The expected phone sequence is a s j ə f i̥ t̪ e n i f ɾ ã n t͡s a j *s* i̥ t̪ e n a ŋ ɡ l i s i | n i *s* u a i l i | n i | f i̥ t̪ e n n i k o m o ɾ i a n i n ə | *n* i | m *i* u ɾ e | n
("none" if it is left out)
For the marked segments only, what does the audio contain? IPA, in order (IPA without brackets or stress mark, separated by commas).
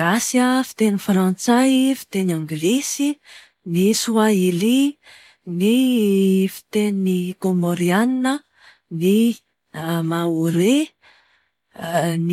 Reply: f, s, n, a